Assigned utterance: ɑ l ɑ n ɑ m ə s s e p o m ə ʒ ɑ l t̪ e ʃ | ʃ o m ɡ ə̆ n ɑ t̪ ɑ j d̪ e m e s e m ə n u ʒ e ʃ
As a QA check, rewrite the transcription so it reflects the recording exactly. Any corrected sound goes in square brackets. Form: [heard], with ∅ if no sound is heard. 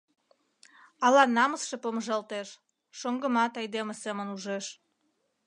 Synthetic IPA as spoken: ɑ l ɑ n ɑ m ə s [ʃ] e p o m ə ʒ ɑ l t̪ e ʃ | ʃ o [ŋ] ɡ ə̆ [m] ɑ t̪ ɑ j d̪ e m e s e m ə n u ʒ e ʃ